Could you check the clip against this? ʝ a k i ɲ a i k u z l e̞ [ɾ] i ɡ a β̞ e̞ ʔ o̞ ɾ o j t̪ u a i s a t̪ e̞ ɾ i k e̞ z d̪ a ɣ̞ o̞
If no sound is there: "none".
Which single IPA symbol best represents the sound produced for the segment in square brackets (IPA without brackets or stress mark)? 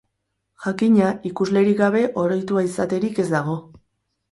ɾ